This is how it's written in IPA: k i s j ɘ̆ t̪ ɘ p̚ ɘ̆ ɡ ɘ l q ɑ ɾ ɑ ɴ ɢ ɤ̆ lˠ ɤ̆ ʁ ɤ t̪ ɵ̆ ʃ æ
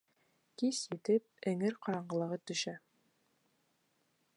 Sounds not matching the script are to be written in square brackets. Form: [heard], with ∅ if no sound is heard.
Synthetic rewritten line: k i s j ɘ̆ t̪ ɘ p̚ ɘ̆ [ŋ] ɘ [ɾ] q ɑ ɾ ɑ ɴ ɢ ɤ̆ lˠ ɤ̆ ʁ ɤ t̪ ɵ̆ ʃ æ